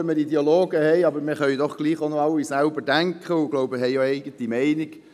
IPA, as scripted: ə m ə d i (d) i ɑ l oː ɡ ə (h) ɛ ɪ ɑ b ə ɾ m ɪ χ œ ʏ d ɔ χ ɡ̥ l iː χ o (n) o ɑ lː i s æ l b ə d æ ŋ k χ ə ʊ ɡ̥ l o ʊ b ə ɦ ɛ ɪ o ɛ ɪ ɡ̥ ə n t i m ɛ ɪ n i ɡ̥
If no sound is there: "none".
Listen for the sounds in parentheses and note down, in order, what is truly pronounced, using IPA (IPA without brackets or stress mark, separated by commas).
d, h, n